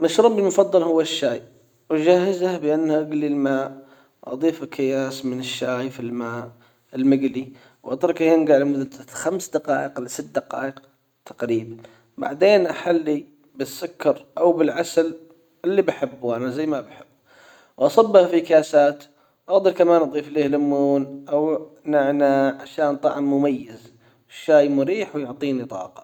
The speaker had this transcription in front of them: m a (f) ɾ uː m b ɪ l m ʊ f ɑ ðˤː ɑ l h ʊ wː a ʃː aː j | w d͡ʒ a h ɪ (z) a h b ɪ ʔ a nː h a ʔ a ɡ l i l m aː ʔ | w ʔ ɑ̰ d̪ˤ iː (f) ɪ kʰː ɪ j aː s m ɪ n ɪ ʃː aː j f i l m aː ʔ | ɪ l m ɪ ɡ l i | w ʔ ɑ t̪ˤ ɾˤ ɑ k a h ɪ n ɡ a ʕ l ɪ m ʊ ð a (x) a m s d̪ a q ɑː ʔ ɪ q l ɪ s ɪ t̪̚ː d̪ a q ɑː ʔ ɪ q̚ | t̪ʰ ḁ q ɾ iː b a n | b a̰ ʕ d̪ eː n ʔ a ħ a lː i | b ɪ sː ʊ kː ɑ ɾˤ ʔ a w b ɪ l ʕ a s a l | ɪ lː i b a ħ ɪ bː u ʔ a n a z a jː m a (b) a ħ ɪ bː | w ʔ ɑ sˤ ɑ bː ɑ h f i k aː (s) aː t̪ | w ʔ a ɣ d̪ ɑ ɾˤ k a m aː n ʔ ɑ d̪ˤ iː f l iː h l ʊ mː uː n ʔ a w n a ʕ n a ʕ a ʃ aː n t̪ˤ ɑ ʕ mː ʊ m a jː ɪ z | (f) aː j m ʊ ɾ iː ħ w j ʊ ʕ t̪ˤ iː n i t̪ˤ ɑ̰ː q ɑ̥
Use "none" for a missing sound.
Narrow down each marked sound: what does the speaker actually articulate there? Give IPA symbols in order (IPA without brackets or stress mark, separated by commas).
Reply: ʃ, z, f, x, b, s, ʃ